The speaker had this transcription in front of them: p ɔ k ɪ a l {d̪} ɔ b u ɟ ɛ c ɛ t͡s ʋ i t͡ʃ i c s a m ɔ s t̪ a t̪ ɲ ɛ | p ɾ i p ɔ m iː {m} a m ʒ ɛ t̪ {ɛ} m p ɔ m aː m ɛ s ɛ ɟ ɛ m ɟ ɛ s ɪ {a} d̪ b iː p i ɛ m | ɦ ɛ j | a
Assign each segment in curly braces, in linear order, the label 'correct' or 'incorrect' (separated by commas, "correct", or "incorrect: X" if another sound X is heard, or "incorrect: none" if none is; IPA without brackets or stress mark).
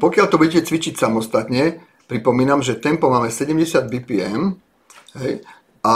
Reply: incorrect: t̪, incorrect: n, correct, correct